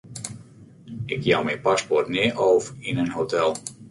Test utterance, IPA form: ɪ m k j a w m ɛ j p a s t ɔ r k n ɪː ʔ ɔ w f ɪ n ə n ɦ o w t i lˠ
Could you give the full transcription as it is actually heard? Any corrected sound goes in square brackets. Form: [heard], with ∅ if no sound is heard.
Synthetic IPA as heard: ɪ [∅] k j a w m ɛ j p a s [p] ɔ r [t] n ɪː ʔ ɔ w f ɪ n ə n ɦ o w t [ɛ] lˠ